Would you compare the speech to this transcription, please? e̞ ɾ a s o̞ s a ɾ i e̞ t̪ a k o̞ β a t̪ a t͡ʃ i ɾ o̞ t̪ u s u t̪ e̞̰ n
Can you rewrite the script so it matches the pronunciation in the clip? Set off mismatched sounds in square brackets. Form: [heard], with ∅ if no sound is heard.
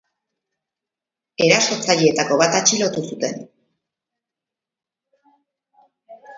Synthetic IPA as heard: e̞ ɾ a s o̞ [t͡s] a [ʎ] i e̞ t̪ a k o̞ β a t̪ a t͡ʃ i [l] o̞ t̪ u s u t̪ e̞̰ n